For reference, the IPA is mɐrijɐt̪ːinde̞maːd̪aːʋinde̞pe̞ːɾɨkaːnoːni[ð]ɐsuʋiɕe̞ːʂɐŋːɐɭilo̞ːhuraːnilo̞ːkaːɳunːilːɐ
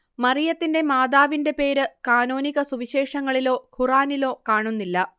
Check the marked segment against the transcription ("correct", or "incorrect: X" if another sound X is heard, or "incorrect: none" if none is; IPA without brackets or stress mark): incorrect: ɣ